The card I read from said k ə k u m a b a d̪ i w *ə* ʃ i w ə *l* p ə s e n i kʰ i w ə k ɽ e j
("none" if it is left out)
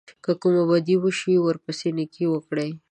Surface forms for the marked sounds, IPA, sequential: ə, ɾ

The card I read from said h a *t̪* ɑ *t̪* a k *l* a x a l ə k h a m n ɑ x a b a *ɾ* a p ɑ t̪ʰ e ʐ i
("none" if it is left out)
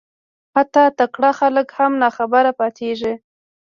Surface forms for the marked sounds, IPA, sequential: t̪, t̪, ɽ, ɾ

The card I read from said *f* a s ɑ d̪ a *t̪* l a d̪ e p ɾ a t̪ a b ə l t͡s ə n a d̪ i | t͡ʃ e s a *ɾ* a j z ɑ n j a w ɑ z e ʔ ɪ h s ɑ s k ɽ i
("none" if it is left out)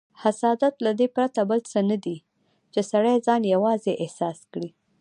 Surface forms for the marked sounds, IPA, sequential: h, t̪, ɽ

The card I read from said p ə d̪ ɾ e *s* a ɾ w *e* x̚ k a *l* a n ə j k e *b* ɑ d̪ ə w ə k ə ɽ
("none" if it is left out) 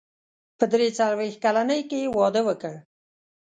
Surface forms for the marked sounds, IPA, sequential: t͡s, e, l, w

